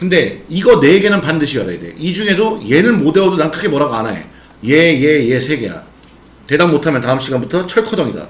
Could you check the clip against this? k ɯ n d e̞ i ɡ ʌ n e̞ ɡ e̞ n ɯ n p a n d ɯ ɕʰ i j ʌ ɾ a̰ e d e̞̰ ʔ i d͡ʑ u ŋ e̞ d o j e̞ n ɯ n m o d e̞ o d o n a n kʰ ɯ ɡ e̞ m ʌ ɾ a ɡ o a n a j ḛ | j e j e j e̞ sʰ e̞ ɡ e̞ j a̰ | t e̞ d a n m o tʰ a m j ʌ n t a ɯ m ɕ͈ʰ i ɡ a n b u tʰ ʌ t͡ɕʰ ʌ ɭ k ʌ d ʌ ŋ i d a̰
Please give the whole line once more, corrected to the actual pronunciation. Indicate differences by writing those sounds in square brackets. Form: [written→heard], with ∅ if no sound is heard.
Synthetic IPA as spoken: k ɯ n d e̞ i ɡ ʌ n e̞ ɡ e̞ n ɯ n p a n d ɯ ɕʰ i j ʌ ɾ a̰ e d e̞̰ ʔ i d͡ʑ u ŋ e̞ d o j e̞ n ɯ n m o d e̞ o d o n a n kʰ ɯ ɡ e̞ m ʌ ɾ a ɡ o a n a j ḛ | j e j e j e̞ sʰ e̞ ɡ e̞ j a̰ | t e̞ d a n m o tʰ a m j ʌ n t a ɯ m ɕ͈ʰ i ɡ a n b u tʰ ʌ t͡ɕʰ ʌ ɭ [k→kʰ] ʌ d ʌ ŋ i d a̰